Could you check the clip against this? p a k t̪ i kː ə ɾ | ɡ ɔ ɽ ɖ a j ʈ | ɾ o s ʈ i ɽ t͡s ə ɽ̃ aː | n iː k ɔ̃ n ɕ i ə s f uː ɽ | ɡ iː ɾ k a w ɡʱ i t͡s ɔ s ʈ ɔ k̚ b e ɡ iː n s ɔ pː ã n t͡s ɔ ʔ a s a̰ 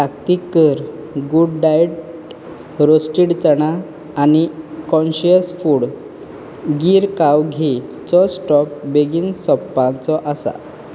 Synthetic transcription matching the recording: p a k t̪ i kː ə ɾ | ɡ u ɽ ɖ a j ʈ | ɾ o s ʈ i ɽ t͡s ə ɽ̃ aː | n i k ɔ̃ n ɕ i ə s f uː ɽ | ɡ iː ɾ k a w ɡʱ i t͡s ɔ s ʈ ɔ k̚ b e ɡ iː n s ɔ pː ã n t͡s ɔ ʔ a s a̰